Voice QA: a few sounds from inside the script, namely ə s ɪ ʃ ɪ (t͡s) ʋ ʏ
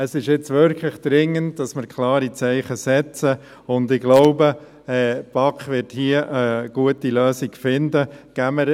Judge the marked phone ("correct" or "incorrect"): correct